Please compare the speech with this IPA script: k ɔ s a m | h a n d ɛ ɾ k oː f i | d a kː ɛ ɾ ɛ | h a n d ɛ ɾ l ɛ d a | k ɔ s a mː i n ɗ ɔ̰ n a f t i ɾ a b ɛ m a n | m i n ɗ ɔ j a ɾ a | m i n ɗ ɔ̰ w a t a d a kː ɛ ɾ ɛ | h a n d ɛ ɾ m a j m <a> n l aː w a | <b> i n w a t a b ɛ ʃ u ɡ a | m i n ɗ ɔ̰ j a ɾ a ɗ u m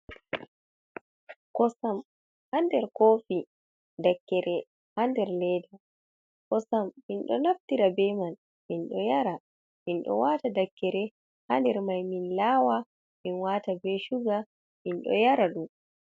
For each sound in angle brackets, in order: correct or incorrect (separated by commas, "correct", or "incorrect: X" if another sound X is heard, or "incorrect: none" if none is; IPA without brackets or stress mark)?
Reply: incorrect: i, incorrect: m